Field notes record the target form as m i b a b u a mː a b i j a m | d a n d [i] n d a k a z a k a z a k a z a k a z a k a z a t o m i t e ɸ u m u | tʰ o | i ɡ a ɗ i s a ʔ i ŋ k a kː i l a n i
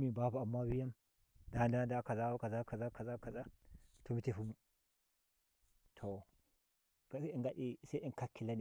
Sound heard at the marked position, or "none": a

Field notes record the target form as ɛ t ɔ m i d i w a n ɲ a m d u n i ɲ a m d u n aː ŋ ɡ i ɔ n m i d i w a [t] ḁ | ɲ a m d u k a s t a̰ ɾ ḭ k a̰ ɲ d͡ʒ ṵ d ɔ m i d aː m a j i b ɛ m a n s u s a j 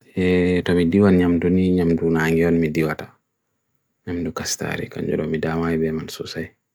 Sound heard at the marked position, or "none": t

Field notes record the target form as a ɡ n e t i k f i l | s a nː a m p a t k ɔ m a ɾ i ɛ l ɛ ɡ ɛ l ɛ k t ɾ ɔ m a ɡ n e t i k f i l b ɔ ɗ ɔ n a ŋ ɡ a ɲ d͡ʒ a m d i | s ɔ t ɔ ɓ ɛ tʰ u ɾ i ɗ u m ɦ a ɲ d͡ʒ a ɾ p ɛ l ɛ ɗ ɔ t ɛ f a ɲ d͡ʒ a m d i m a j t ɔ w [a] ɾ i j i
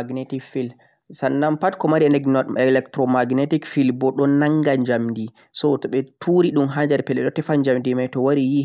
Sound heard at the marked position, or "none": a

